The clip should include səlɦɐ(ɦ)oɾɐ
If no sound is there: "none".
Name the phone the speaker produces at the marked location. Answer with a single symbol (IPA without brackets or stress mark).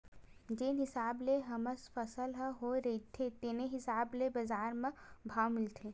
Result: ɦ